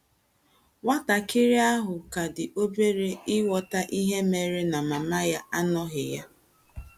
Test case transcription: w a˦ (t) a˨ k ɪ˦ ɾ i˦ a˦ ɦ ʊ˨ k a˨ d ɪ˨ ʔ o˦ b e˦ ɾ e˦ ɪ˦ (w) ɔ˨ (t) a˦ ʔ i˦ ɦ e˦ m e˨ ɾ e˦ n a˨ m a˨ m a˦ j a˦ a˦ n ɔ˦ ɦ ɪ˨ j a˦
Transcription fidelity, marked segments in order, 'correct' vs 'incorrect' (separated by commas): correct, correct, correct